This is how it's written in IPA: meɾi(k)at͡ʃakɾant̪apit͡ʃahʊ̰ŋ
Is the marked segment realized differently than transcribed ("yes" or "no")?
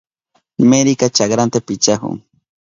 no